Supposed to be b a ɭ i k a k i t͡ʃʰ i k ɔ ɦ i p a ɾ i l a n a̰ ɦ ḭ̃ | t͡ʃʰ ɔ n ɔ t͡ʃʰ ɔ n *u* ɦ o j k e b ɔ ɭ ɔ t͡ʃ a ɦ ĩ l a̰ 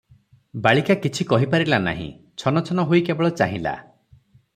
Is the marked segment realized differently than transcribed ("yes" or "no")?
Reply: yes